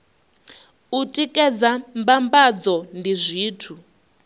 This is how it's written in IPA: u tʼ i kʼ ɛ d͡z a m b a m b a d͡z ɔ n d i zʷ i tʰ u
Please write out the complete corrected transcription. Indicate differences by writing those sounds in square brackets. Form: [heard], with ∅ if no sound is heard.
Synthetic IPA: u tʼ i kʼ ɛ d͡z a m b a m b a d͡z ɔ n d i zʷ [iː] tʰ u